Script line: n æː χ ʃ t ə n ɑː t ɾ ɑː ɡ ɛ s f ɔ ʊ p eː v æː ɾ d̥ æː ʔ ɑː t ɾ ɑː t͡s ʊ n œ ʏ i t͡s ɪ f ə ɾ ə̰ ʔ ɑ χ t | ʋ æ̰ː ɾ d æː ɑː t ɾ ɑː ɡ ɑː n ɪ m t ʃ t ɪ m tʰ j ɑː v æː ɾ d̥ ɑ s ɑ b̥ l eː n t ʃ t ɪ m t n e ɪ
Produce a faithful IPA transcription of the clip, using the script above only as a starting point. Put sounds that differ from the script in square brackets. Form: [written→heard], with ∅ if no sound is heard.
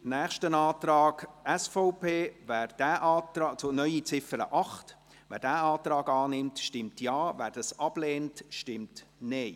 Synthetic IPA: n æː χ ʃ t ə n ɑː t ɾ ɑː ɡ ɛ s f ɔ ʊ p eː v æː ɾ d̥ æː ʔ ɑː t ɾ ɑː t͡s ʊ n œ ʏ i t͡s ɪ f ə ɾ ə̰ ʔ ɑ χ t | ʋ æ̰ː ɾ d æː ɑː t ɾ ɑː ɡ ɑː n ɪ m t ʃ t ɪ m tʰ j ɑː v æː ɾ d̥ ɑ s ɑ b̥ l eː n t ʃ t ɪ m t n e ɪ